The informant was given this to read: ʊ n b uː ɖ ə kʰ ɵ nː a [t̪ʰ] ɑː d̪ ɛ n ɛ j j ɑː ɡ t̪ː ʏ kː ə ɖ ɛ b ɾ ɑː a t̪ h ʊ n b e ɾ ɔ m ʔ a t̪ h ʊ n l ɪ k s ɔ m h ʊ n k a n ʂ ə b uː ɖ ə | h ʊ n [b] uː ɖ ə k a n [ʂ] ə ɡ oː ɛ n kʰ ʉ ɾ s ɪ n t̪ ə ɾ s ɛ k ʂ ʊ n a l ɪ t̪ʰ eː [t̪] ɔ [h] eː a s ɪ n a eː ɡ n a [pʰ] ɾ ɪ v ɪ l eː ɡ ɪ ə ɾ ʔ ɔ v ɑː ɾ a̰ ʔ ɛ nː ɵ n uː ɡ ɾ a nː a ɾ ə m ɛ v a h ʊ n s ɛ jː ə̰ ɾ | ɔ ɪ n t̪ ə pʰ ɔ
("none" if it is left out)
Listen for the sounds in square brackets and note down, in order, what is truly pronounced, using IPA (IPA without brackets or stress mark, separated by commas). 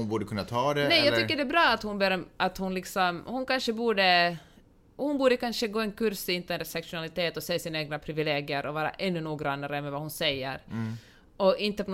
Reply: t̪ʰ, b, ʂ, t̪, s, pʰ